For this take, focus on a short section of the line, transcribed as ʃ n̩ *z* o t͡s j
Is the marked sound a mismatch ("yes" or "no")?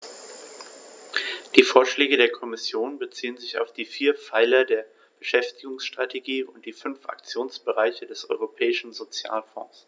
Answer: no